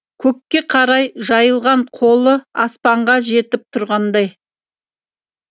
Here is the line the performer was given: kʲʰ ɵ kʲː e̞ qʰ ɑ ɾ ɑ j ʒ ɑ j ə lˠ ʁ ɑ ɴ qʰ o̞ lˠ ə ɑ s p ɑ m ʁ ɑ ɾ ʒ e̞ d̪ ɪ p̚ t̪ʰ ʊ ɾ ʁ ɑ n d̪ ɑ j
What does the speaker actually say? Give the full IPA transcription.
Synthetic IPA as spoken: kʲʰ ɵ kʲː e̞ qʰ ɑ ɾ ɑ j ʒ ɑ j ə lˠ ʁ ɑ ɴ qʰ o̞ lˠ ə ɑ s p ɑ ɴ ʁ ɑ ʒ e̞ t̪ ɪ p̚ t̪ʰ ʊ ɾ ʁ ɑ n d̪ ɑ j

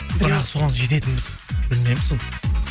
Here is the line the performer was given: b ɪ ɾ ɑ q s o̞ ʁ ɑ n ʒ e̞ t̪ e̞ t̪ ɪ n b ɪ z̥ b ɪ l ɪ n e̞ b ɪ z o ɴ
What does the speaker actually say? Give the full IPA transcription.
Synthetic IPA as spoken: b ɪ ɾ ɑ q s o̞ ʁ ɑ n ʒ e̞ t̪ e̞ t̪ ɪ n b ɪ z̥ b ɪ l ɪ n e̞ m ɪ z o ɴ

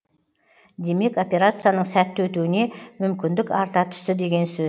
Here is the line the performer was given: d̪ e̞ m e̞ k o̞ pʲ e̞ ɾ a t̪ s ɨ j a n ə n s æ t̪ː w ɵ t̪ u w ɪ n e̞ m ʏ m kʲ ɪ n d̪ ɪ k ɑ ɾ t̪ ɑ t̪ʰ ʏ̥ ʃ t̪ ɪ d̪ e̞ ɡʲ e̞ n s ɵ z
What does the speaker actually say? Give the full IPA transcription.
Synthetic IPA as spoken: d̪ e̞ m e̞ k o̞ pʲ e̞ ɾ a t̪ s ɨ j a n ə ɴ s æ t̪ː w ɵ t̪ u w ɪ n e̞ m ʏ m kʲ ɪ n d̪ ɪ k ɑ ɾ t̪ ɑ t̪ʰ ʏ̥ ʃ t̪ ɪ d̪ e̞ ɡʲ e̞ n s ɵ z

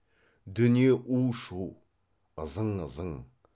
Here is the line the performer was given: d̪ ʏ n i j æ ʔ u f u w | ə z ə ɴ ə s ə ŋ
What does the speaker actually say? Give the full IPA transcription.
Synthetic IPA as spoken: d̪ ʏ n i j e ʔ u ʃ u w | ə z ə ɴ ə z ə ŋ

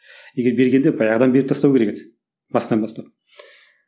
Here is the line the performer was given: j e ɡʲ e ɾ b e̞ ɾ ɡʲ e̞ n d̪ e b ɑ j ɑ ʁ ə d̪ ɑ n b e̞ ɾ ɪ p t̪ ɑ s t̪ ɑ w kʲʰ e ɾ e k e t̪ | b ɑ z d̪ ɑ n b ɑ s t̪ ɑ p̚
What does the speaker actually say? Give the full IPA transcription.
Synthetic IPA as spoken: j e ɡʲ e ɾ b e̞ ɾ ɡʲ e̞ n d̪ e b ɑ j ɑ ʁ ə d̪ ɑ n b e̞ ɾ ɪ p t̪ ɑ s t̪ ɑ w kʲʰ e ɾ e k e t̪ | b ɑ s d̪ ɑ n b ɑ s t̪ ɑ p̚

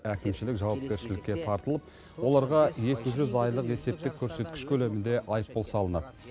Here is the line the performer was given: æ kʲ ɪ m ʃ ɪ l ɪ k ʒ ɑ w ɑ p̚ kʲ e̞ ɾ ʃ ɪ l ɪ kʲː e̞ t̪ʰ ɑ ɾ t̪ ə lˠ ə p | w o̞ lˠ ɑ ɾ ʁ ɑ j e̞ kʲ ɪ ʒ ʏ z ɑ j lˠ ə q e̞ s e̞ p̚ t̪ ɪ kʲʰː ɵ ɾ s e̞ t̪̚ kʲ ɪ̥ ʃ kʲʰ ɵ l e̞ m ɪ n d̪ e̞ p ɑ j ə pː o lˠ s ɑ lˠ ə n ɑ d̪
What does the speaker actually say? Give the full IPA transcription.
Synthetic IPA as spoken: æ kʲ ɪ m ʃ ɪ l ɪ k ʒ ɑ w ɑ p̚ kʲ e̞ ɾ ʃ ɪ l ɪ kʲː e̞ t̪ʰ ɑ ɾ t̪ ə lˠ ə p | w o̞ lˠ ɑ ɾ ʁ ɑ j e̞ kʲ ɪ ʒ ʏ z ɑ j lˠ ə q e̞ s e̞ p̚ t̪ ɪ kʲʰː ɵ ɾ s e̞ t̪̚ kʲ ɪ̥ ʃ kʲʰ ɵ l e̞ m ɪ n d̪ e̞ ʔ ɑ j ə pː o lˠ s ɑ lˠ ə n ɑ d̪

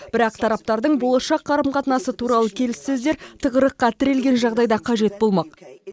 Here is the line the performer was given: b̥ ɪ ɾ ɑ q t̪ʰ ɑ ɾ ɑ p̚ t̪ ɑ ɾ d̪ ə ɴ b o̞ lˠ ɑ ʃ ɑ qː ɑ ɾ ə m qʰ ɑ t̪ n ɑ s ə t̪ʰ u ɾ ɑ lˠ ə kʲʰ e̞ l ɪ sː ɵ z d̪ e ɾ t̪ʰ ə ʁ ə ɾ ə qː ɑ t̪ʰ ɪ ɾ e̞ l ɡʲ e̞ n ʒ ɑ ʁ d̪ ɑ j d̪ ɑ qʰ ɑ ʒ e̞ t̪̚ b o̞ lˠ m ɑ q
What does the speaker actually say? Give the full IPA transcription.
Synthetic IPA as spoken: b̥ ɪ ɾ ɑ q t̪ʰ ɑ ɾ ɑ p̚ t̪ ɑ ɾ d̪ ə ɴ b o̞ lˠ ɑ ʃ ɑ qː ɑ ɾ ə m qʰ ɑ t̪ n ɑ s ə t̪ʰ u ɾ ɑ lˠ ə kʲʰ e̞ l ɪ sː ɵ z d̪ e ɾ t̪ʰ ə ʁ ə ɾ ə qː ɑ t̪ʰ ɪ ɾ e̞ l ɡʲ e̞ n ʒ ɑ ʁ d̪ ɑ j d̪ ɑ qʰ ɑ ʒ e̞ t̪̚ b o̞ lˠ m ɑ q

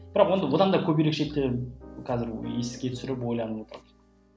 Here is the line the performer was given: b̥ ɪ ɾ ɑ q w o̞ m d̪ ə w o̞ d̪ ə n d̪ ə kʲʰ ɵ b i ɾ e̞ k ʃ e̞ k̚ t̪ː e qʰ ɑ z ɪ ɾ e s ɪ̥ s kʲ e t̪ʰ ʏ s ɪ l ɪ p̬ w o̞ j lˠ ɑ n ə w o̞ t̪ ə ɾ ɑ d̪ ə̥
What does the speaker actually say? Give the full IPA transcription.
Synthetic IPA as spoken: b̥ ɪ ɾ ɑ q w o̞ n d̪ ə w o̞ d̪ ɑ n d̪ ɑ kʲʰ ɵ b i ɾ e̞ k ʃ e̞ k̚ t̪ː e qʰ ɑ z ɪ ɾ e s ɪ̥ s kʲ e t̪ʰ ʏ s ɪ ɾ ɪ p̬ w o̞ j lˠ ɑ n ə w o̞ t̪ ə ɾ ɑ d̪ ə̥

